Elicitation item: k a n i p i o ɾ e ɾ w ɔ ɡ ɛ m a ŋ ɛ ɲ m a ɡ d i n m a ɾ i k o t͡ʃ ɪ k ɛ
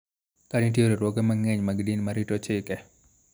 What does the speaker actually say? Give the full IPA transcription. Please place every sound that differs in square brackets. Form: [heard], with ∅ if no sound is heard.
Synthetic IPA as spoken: k a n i [t] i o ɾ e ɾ w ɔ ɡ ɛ m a ŋ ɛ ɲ m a ɡ d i n m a ɾ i [t] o t͡ʃ ɪ k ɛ